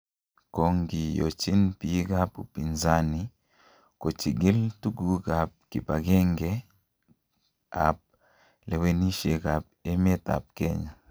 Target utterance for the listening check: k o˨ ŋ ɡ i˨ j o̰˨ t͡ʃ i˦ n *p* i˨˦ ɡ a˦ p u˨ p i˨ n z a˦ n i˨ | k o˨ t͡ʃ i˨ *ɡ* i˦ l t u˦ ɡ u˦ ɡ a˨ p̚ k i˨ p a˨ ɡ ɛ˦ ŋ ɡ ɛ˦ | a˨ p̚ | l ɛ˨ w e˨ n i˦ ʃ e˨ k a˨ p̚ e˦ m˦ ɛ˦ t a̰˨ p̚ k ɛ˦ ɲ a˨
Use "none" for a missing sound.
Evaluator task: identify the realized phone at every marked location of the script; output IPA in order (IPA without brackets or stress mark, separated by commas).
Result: p, ɡ